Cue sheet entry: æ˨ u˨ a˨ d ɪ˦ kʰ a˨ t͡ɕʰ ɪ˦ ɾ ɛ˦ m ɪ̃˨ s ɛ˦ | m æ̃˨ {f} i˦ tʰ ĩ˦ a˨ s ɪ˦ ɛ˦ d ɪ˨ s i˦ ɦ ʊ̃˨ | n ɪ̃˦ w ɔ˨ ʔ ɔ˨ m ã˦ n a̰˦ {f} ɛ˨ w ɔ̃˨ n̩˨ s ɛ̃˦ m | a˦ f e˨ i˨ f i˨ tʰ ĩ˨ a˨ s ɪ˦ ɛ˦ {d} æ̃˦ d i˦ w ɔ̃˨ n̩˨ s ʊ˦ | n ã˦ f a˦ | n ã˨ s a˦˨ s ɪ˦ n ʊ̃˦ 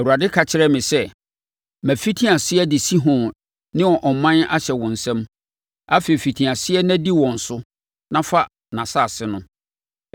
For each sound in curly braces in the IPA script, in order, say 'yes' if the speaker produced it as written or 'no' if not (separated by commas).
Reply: yes, no, no